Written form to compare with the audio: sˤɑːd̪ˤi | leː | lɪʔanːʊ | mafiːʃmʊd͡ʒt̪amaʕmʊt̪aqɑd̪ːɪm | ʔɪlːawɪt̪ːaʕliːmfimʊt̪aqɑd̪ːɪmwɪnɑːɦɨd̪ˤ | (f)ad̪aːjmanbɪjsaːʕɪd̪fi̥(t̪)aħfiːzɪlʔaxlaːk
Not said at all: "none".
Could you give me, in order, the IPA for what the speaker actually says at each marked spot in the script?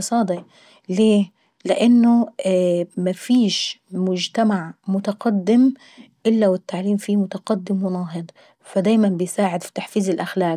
f, t̪

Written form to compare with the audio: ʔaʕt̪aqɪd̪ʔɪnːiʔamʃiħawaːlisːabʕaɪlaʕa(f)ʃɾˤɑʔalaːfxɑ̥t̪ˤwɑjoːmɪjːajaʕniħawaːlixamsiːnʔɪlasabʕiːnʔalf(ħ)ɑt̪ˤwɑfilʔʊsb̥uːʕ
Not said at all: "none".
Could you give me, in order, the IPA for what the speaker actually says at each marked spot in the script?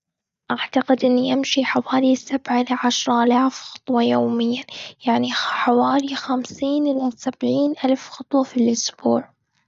none, x

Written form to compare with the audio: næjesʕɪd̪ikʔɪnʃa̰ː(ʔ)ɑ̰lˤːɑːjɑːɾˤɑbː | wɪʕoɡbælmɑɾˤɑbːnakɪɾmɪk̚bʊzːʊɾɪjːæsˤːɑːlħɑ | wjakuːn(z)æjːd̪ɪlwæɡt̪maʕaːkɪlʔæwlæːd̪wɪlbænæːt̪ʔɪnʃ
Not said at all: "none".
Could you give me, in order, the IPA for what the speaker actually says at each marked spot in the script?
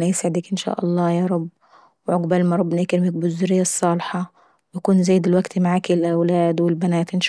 ʔ, z

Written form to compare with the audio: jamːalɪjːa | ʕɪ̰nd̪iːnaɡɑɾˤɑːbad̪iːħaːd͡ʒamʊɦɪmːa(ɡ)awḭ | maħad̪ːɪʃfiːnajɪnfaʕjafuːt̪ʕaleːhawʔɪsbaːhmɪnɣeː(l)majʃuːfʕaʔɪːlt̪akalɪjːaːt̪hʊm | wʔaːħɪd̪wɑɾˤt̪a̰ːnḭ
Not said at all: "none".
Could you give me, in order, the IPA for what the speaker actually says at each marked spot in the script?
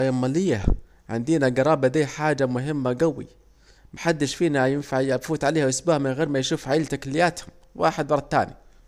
ɡ, ɾ

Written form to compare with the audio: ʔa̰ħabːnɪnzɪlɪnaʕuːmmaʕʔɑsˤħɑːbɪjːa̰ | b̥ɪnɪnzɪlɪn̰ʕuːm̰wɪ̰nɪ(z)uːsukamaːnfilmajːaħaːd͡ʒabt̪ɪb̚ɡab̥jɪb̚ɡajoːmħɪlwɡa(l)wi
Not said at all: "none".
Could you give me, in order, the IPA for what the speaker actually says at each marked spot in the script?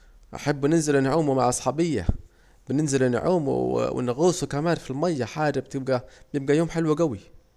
ɣ, none

